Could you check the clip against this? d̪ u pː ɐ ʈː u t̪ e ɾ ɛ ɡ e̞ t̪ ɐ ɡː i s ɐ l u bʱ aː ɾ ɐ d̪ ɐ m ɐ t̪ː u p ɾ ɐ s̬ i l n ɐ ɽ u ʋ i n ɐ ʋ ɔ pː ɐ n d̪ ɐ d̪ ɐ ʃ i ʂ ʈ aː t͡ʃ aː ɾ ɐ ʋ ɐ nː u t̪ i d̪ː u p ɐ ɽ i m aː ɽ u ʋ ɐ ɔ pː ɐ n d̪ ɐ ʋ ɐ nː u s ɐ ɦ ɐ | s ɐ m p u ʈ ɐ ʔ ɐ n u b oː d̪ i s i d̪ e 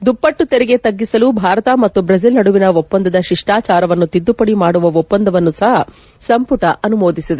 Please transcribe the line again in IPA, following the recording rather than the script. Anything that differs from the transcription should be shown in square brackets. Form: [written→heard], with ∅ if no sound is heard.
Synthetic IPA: d̪ u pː ɐ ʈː u t̪ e ɾ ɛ ɡ e̞ t̪ ɐ ɡː i s ɐ l u bʱ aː ɾ ɐ [d̪→t̪] ɐ m ɐ t̪ː u [p→b] ɾ ɐ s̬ i l n ɐ ɽ u ʋ i n ɐ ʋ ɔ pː ɐ n d̪ ɐ d̪ ɐ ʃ i ʂ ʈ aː t͡ʃ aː ɾ ɐ ʋ ɐ nː u t̪ i d̪ː u p ɐ ɽ i m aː ɽ u ʋ ɐ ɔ pː ɐ n d̪ ɐ ʋ ɐ nː u s ɐ ɦ ɐ | s ɐ m p u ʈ ɐ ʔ ɐ n u [b→m] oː d̪ i s i d̪ e